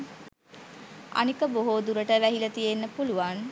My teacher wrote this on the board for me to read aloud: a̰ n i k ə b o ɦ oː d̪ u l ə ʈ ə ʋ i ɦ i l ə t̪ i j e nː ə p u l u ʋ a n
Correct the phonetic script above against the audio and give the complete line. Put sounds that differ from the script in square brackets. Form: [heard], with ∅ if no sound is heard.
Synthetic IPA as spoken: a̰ n i k ə b o ɦ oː d̪ u [ɾ] ə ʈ ə ʋ [æ] ɦ i l ə t̪ i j e nː ə p u l u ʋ a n